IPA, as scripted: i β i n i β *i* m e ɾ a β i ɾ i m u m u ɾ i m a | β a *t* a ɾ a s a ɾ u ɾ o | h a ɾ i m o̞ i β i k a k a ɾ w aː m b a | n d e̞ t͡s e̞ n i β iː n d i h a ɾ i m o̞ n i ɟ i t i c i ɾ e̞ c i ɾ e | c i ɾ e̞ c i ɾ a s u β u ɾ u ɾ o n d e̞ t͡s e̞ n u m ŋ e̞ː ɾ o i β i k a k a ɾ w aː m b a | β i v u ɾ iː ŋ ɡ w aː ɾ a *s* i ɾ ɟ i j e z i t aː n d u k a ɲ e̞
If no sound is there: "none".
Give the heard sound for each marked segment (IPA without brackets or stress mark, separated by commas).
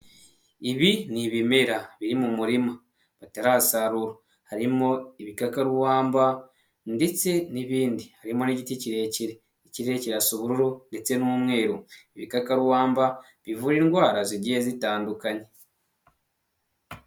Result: i, t, z